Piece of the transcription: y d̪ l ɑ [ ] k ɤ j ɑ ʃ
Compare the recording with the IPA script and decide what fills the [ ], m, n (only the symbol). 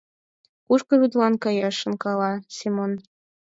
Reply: n